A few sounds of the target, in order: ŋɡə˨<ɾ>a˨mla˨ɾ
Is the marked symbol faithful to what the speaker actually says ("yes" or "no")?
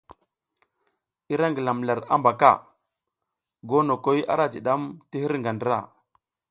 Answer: no